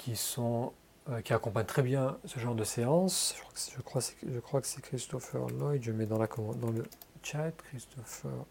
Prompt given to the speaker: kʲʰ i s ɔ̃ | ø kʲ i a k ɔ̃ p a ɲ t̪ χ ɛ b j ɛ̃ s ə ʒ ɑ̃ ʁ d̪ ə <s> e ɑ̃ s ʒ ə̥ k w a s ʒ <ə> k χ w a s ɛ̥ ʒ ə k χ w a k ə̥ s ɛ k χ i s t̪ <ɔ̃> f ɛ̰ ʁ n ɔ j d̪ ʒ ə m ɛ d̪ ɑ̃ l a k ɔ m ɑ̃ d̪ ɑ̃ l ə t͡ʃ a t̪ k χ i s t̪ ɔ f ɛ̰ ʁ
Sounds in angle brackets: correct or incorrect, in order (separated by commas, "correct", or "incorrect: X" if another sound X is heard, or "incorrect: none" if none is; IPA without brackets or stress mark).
correct, correct, incorrect: ɔ